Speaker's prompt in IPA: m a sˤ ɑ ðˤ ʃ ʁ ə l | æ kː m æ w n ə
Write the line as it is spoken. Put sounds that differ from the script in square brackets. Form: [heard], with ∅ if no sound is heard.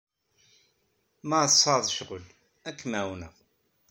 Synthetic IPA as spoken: m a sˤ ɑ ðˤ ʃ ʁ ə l | æ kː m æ w n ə